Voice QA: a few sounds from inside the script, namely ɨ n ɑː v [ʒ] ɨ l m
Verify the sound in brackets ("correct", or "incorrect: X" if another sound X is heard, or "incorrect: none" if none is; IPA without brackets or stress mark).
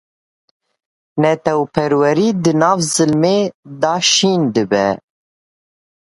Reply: incorrect: z